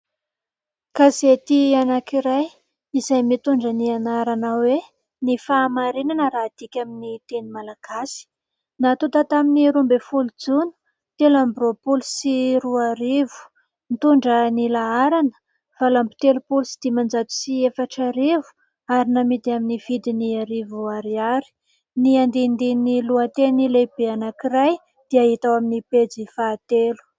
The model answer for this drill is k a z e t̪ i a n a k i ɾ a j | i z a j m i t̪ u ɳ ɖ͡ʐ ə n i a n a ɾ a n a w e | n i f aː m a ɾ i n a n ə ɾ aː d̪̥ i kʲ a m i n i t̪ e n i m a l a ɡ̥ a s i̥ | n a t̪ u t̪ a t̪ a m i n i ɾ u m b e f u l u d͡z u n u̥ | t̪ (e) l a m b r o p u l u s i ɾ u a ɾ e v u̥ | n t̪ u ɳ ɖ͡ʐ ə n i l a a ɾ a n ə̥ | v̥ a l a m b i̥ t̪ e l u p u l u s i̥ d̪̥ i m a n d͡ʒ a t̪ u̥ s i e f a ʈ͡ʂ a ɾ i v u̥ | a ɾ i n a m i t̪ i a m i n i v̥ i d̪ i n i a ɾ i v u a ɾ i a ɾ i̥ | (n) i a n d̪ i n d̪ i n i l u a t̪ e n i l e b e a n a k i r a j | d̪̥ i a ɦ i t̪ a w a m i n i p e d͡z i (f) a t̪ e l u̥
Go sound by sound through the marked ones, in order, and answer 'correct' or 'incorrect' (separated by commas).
correct, correct, correct